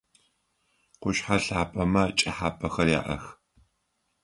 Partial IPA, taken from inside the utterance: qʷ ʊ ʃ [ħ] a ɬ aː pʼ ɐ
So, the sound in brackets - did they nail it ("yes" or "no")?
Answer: yes